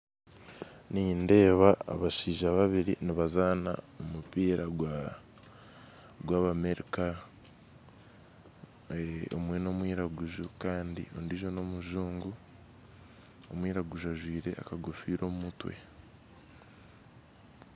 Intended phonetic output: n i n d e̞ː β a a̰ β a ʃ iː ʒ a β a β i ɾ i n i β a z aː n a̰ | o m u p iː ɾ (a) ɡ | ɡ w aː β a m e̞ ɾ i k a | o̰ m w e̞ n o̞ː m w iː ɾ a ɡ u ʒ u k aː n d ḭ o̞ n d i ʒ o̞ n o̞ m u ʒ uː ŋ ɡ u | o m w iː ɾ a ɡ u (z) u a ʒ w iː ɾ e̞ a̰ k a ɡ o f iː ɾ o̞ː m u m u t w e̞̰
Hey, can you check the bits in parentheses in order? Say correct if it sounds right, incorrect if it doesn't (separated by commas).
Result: correct, incorrect